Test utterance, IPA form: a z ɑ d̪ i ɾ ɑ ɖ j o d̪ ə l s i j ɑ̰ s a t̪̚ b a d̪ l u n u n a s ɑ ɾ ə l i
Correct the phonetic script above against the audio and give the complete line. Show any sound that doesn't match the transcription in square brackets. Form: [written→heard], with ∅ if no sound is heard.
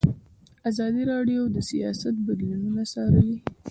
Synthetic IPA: a z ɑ d̪ i ɾ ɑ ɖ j o d̪ ə [l→∅] s i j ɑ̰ s a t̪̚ b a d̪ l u n u n a s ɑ ɾ ə l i